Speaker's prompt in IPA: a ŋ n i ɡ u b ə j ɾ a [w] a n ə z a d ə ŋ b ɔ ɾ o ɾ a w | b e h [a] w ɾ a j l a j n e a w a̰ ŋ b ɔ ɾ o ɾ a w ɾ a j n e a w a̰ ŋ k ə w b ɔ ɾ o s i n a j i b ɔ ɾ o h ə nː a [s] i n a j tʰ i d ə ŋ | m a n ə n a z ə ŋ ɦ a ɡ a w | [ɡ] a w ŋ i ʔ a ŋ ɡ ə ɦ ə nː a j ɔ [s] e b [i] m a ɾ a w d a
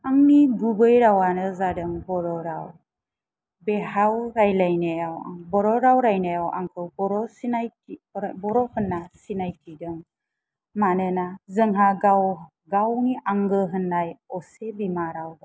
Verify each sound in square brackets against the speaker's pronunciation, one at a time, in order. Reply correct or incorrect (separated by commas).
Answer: correct, correct, correct, correct, correct, correct